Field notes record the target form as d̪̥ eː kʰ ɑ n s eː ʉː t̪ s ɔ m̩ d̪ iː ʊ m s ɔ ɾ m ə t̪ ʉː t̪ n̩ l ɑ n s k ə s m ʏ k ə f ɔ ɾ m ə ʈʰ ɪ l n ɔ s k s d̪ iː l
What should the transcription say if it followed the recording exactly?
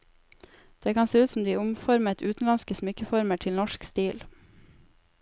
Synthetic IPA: d̪̥ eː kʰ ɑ n s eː ʉː t̪ s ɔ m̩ d̪ iː ʊ m f ɔ ɾ m ə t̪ ʉː t̪ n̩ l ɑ n s k ə s m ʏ k ə f ɔ ɾ m ə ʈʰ ɪ l n ɔ ʃ k s t̪ iː l